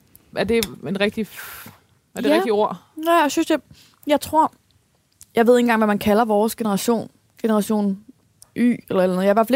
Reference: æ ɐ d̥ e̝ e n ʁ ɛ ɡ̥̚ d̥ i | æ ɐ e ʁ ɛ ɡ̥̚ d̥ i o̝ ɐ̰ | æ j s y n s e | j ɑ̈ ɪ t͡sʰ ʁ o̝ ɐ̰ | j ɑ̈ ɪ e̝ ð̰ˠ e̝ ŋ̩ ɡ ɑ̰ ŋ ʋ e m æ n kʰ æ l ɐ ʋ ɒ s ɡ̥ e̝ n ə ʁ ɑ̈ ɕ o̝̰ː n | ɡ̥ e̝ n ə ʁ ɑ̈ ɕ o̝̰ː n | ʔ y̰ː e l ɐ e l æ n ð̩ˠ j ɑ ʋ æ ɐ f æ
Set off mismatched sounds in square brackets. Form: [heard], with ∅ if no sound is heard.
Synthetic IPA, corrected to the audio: æ ɐ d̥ e̝ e n ʁ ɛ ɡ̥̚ d̥ i | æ ɐ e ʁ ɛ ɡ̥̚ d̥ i o̝ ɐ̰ | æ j s y n s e | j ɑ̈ ɪ t͡sʰ ʁ o̝ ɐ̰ | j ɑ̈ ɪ e̝ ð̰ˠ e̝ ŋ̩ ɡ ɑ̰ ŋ ʋ [æ] m æ n kʰ æ l ɐ ʋ [ɒː] s ɡ̥ e̝ n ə ʁ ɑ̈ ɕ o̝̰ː n | ɡ̥ e̝ n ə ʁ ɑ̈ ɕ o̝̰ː n | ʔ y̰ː e l ɐ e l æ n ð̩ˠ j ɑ ʋ æ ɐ f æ